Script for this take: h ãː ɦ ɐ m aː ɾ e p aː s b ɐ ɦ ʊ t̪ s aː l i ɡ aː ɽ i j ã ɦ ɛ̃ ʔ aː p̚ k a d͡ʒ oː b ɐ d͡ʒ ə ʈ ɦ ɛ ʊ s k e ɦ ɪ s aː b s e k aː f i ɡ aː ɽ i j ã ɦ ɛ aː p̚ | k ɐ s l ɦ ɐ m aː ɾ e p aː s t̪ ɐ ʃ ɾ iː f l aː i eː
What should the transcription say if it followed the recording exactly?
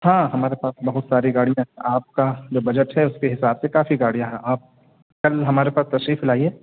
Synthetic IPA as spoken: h ãː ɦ ɐ m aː ɾ e p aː s b ɐ ɦ ʊ t̪ s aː ɾ i ɡ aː ɽ i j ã ɦ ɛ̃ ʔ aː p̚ k a d͡ʒ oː b ɐ d͡ʒ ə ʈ ɦ ɛ ʊ s k e ɦ ɪ s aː b s e k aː f i ɡ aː ɽ i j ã ɦ ɛ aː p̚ | k ɐ l ɦ ɐ m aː ɾ e p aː s t̪ ɐ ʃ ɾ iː f l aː i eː

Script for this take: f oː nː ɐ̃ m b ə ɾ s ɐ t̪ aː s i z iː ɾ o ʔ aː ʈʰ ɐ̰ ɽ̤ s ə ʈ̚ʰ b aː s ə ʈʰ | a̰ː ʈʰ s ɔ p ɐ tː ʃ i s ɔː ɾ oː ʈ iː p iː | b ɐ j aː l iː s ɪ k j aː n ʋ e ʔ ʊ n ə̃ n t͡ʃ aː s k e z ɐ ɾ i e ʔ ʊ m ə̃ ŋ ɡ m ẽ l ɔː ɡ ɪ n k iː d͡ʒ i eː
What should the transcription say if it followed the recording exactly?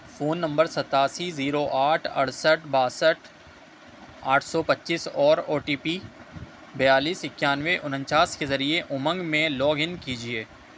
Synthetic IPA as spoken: f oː nː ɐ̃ m b ə ɾ s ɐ t̪ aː s i z iː ɾ o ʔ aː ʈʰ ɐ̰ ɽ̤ s ə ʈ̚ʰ b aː s ə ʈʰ | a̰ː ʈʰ s ɔ p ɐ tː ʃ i s ɔː ɾ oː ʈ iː p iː | b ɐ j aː l iː s ɪ k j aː n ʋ e ʔ ʊ n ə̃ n t͡ʃ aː s k e z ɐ ɾ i e ʔ ʊ m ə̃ ŋ ɡ m ẽ l ɔː ɡ ɪ n k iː d͡ʒ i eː

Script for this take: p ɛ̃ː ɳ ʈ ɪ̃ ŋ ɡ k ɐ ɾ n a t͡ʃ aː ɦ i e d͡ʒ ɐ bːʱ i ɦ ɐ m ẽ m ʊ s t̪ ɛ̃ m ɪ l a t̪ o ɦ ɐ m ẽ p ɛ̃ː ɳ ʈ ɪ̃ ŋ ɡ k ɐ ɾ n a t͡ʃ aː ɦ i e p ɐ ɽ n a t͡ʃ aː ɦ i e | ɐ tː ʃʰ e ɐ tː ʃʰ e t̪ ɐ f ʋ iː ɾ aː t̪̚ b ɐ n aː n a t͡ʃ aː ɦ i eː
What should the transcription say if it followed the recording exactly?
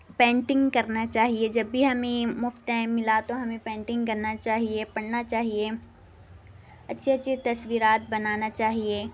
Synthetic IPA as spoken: p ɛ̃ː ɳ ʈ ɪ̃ ŋ ɡ k ɐ ɾ n a t͡ʃ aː ɦ i e d͡ʒ ɐ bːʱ i ɦ ɐ m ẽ m ʊ f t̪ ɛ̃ m ɪ l a t̪ o ɦ ɐ m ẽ p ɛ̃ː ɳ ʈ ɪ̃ ŋ ɡ k ɐ ɾ n a t͡ʃ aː ɦ i e p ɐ ɽ n a t͡ʃ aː ɦ i e | ɐ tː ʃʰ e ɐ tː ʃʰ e t̪ ɐ s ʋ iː ɾ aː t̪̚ b ɐ n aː n a t͡ʃ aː ɦ i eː

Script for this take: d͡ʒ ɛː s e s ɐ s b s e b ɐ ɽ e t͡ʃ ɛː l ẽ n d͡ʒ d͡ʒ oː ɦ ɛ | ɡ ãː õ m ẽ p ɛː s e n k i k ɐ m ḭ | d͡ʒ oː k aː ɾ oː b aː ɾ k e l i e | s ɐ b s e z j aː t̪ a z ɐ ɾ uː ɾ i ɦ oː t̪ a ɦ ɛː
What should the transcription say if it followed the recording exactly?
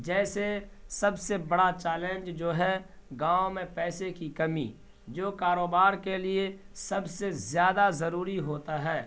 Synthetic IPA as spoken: d͡ʒ ɛː s e s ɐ b s e b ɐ ɽ a t͡ʃ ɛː l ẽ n d͡ʒ d͡ʒ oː ɦ ɛ | ɡ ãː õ m ẽ p ɛː s e k i k ɐ m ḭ | d͡ʒ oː k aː ɾ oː b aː ɾ k e l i e | s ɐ b s e z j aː d̪ a z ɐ ɾ uː ɾ i ɦ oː t̪ a ɦ ɛː

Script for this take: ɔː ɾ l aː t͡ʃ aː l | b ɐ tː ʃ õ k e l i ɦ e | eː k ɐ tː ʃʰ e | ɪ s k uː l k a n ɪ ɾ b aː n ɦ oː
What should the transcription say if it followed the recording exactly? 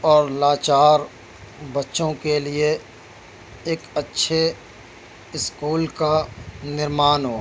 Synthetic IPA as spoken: ɔː ɾ l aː t͡ʃ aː ɾ | b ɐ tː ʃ õ k e l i e | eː k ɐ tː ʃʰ e | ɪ s k uː l k a n ɪ ɾ m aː n ɦ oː

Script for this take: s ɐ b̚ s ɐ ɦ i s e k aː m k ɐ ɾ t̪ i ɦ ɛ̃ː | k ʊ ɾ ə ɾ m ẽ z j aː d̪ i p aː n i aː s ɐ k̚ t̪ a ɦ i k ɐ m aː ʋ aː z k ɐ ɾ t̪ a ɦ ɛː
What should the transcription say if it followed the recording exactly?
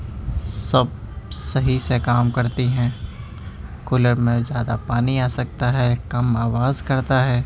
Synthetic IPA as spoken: s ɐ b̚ s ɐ ɦ i s e k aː m k ɐ ɾ t̪ i ɦ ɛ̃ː | k ʊ l ə ɾ m ẽ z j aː d̪ a p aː n i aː s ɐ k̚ t̪ a ɦ ɛ k ɐ m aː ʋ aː z k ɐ ɾ t̪ a ɦ ɛː

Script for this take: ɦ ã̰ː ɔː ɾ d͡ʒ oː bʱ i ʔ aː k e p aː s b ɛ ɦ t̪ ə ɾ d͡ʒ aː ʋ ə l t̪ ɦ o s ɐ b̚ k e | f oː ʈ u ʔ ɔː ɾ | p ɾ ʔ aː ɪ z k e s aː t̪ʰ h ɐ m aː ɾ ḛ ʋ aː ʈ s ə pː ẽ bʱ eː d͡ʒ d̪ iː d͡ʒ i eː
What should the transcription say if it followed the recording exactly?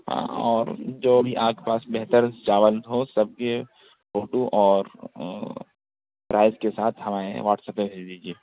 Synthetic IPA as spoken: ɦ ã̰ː ɔː ɾ d͡ʒ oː bʱ i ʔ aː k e p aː s b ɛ ɦ t̪ ə ɾ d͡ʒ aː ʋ ə l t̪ ɦ o s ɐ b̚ k e | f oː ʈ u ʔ ɔː ɾ | p ɾ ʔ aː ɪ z k e s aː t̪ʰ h ɐ m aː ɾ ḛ ʋ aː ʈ s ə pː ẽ bʱ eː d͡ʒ d̪ iː d͡ʒ i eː

